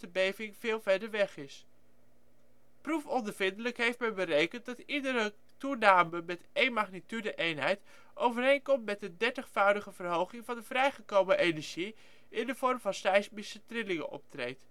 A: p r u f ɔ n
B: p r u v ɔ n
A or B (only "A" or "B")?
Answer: A